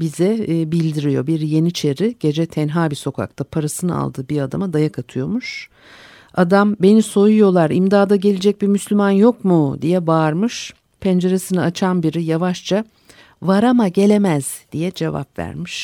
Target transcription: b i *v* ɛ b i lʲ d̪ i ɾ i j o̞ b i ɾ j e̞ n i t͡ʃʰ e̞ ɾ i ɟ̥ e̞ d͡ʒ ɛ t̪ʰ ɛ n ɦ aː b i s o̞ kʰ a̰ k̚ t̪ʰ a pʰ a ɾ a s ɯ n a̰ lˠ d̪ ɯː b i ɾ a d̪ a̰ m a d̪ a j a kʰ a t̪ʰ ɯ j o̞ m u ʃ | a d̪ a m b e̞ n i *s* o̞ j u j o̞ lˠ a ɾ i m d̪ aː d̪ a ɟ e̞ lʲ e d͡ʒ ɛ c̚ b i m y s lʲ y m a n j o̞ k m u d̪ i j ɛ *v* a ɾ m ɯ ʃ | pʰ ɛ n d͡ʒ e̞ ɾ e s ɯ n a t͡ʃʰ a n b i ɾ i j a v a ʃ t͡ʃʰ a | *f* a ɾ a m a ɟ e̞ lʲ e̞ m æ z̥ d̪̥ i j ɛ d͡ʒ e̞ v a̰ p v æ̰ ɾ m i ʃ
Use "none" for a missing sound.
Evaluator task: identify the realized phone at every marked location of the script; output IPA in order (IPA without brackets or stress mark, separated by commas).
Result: z, s, b, v